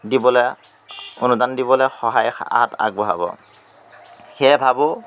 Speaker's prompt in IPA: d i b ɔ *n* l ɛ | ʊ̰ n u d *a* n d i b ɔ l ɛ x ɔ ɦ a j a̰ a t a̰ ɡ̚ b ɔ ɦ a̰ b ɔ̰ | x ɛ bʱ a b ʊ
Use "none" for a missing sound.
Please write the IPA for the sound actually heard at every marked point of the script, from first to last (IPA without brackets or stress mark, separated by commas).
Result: none, a